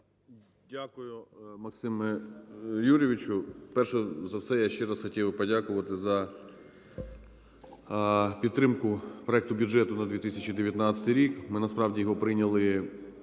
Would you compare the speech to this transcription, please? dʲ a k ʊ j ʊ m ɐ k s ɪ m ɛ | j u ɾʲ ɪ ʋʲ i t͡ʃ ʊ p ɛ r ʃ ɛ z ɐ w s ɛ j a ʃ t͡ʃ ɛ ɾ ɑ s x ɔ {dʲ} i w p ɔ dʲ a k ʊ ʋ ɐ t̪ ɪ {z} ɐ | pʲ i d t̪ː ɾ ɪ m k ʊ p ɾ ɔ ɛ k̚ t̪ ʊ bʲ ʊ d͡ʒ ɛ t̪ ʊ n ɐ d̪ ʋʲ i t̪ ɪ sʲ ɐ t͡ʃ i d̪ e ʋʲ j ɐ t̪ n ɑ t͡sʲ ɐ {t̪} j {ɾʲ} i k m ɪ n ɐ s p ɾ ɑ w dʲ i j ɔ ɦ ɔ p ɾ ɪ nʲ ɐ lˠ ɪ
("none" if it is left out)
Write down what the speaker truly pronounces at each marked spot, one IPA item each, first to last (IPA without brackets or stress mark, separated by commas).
tʲ, z, t̪, ɾʲ